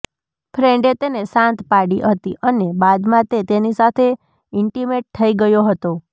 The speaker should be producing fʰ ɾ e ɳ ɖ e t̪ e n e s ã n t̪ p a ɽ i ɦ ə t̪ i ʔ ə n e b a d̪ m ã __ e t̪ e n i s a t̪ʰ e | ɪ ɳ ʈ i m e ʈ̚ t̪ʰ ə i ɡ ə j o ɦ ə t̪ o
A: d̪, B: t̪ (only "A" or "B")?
B